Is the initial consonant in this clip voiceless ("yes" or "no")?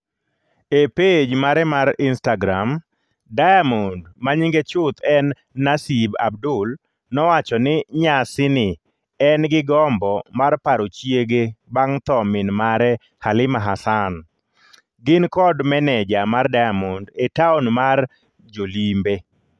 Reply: yes